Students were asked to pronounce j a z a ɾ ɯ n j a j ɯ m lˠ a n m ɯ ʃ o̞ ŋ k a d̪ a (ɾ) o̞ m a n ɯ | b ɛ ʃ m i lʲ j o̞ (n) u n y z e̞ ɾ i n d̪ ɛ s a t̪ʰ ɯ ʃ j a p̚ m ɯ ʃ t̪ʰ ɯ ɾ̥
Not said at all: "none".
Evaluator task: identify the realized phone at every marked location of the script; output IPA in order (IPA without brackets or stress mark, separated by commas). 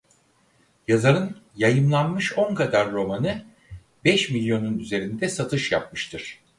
ɾː, n